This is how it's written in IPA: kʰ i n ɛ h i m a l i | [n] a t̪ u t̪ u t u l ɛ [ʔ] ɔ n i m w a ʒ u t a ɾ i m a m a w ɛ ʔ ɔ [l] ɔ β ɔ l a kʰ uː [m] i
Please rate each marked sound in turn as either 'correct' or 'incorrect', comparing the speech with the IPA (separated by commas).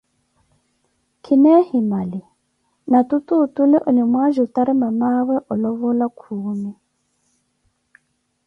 correct, correct, correct, correct